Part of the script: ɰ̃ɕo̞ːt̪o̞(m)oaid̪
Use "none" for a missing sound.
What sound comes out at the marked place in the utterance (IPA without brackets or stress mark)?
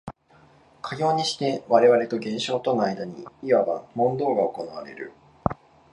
n